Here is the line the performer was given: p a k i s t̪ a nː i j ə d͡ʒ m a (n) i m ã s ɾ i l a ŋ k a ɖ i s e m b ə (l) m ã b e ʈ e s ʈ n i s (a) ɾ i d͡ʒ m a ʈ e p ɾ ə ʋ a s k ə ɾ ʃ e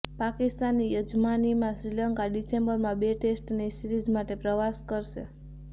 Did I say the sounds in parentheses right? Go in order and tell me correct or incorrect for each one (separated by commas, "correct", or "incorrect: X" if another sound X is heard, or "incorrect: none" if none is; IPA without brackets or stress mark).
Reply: correct, incorrect: ɾ, incorrect: i